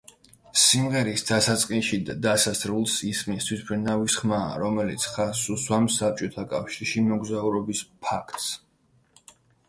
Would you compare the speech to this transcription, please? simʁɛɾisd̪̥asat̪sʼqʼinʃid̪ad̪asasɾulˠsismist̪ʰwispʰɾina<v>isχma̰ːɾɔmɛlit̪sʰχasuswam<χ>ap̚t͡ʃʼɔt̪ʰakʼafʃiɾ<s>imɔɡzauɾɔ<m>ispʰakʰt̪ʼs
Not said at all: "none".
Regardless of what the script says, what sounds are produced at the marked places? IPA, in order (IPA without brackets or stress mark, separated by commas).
v, s, ʃ, b